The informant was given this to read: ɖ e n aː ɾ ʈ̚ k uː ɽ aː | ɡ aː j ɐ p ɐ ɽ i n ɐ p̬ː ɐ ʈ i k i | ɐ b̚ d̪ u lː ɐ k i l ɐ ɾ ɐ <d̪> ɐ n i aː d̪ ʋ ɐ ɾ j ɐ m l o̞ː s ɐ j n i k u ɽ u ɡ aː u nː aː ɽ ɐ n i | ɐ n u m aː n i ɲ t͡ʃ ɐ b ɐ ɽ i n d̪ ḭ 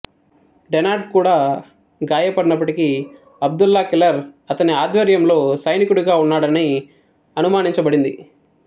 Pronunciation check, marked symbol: incorrect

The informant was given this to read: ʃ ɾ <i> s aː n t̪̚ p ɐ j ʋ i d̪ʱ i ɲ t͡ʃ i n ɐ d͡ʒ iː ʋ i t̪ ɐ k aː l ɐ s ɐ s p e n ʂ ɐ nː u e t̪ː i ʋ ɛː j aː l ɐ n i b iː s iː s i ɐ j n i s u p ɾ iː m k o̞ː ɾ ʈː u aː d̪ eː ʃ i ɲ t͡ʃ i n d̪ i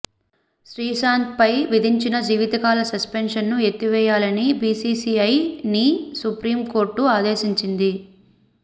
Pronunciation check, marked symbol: incorrect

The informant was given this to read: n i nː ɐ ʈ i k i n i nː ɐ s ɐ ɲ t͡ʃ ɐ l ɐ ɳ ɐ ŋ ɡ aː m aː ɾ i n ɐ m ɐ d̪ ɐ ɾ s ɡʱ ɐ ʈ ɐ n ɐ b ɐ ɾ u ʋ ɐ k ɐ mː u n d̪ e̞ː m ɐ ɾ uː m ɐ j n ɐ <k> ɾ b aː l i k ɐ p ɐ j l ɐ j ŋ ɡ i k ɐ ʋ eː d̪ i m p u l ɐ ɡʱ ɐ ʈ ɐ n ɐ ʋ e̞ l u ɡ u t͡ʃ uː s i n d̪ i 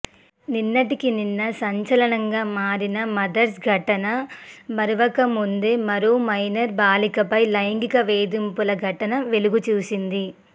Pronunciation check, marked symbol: incorrect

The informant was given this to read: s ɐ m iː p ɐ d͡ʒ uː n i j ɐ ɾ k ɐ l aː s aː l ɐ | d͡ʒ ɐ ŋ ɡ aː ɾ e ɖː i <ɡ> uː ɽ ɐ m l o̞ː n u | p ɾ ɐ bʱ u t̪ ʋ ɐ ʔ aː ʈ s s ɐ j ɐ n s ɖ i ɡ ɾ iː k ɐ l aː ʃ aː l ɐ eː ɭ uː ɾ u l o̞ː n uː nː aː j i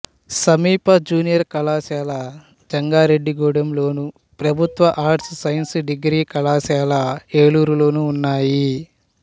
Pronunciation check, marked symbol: correct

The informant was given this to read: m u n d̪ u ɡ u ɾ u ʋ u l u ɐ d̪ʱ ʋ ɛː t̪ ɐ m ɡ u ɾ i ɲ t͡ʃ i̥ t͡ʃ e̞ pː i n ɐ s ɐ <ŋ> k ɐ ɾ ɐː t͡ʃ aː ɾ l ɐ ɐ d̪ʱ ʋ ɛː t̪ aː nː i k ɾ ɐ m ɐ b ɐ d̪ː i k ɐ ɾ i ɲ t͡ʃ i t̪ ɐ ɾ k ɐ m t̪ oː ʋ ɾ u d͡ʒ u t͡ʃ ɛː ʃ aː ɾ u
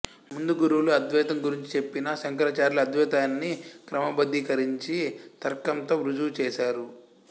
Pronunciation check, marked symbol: correct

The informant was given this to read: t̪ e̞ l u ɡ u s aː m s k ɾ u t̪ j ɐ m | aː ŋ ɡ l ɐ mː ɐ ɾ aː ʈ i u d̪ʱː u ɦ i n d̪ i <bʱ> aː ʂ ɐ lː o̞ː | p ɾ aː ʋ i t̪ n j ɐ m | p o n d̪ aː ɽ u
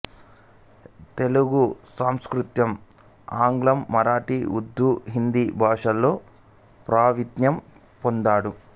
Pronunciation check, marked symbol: correct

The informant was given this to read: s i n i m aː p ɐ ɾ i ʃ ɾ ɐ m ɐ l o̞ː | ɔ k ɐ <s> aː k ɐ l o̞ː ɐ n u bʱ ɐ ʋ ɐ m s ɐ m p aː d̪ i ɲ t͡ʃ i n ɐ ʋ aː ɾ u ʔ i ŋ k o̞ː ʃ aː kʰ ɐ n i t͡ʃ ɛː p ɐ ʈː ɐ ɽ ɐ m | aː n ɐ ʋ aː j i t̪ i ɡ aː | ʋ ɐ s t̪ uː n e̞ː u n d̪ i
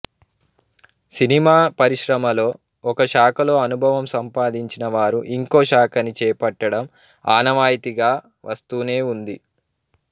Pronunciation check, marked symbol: incorrect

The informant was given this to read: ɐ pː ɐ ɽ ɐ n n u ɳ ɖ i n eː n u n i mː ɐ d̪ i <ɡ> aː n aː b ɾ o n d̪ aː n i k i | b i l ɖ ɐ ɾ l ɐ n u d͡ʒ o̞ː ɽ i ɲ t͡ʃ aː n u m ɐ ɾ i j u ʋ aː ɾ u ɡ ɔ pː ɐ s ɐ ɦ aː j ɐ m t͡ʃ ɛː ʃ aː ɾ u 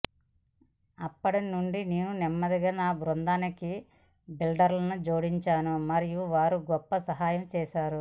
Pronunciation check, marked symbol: correct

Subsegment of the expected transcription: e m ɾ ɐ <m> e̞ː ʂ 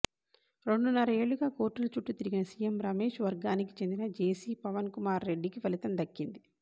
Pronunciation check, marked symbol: correct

